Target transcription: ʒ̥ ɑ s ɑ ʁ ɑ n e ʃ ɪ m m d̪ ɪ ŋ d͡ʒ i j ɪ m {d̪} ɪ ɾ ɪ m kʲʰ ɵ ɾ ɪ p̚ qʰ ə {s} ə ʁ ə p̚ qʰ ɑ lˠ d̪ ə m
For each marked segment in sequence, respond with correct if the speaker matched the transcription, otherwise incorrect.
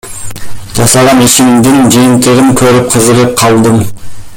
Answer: incorrect: t̪, incorrect: z

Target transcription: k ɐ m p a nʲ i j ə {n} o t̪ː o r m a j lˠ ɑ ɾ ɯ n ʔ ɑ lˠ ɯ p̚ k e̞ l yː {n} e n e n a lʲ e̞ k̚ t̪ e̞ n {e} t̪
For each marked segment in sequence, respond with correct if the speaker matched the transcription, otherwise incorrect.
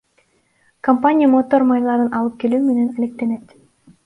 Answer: incorrect: m, incorrect: m, correct

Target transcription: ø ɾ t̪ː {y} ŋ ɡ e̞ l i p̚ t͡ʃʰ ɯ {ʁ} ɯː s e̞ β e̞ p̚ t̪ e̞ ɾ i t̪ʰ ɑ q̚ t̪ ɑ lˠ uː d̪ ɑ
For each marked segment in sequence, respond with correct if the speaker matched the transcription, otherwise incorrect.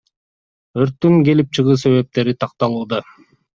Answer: correct, correct

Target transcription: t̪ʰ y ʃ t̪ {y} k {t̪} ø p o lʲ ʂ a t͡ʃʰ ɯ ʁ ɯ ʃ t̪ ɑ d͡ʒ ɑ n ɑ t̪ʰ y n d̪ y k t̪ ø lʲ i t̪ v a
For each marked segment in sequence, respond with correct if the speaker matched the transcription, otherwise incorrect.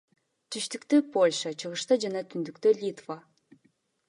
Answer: correct, correct

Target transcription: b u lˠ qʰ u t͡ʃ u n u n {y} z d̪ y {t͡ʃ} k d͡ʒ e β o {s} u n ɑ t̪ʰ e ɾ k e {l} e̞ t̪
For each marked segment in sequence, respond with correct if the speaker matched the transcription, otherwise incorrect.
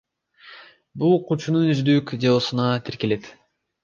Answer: correct, incorrect: none, correct, correct

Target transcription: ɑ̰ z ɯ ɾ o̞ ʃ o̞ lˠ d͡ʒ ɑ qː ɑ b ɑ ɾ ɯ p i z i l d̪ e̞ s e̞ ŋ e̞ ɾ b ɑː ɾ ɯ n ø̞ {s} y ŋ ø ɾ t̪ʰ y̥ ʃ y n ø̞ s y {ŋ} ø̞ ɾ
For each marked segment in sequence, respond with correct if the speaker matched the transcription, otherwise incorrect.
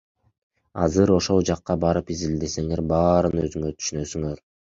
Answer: incorrect: z, correct

